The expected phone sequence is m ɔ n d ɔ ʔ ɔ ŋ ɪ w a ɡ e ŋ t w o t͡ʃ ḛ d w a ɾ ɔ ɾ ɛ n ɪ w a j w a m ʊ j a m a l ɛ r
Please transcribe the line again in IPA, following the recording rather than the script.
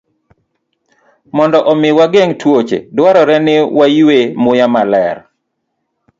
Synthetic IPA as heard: m ɔ n d ɔ ʔ ɔ m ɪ w a ɡ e ŋ t w o t͡ʃ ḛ d w a ɾ ɔ ɾ ɛ n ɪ w a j w e m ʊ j a m a l ɛ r

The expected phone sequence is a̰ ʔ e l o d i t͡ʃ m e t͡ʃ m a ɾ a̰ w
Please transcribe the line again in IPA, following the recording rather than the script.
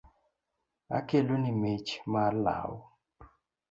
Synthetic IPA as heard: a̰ k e l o n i m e t͡ʃ m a l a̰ w

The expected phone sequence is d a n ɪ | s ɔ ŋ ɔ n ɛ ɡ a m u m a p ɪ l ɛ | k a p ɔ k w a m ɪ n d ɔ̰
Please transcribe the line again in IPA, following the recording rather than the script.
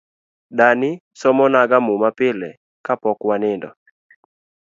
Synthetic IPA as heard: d a n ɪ | s ɔ m ɔ n a ɡ a m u m a p ɪ l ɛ | k a p ɔ k w a n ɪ n d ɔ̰

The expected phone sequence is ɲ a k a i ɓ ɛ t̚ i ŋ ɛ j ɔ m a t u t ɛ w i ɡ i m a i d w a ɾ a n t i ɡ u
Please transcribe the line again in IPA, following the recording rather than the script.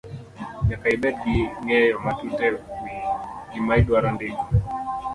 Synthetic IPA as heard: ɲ a k a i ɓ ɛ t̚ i ŋ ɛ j ɔ m a t u t ɛ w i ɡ i m a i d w a ɾ a n d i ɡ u

